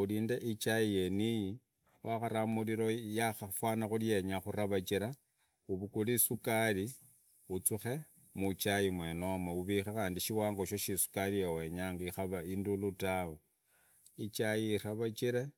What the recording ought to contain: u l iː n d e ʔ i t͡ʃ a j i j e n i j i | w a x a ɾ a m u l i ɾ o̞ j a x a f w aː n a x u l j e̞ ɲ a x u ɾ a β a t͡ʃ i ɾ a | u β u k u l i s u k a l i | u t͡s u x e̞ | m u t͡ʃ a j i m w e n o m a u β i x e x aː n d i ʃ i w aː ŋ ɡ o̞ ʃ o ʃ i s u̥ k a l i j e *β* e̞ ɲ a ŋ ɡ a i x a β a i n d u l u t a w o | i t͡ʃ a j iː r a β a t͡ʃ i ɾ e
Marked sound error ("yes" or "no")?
yes